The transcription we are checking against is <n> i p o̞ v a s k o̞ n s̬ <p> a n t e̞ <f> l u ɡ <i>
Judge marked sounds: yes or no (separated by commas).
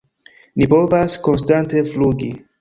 yes, no, yes, yes